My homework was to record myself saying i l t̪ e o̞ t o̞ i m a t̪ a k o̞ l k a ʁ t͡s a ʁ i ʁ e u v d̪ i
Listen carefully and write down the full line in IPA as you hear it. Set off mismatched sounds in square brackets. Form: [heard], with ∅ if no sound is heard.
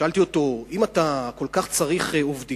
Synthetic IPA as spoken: [a] l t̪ [i] o̞ t o̞ i m a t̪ a k o̞ l k a [χ] t͡s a ʁ i [χ] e [o] v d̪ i